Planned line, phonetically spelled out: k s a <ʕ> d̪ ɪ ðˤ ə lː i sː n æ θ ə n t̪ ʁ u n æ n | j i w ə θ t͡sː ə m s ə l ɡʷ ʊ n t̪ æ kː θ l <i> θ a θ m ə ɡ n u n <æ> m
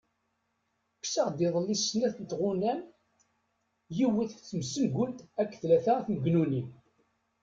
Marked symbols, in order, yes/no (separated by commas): no, no, no